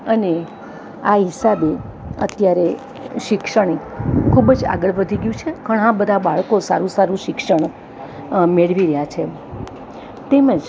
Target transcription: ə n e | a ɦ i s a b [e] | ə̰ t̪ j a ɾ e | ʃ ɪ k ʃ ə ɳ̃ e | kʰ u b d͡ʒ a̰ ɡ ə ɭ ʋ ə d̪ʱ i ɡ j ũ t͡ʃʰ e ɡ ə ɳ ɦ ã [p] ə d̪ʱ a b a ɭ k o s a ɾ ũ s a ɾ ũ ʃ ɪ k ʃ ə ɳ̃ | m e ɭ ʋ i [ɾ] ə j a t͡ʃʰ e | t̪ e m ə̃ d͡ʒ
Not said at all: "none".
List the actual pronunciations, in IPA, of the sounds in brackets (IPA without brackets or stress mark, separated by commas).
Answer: e, b, ɾ